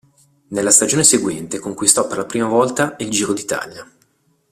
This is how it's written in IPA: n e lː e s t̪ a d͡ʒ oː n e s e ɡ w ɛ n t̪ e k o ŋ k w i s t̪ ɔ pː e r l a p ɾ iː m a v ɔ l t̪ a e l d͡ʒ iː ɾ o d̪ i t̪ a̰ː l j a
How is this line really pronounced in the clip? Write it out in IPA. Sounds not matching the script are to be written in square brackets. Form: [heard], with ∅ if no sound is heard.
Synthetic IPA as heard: n e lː [a] s t̪ a d͡ʒ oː n e s e ɡ w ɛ n t̪ e k o ŋ k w i s t̪ ɔ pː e r l a p ɾ iː m a v ɔ l t̪ a [i] l d͡ʒ iː ɾ o d̪ i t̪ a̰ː l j a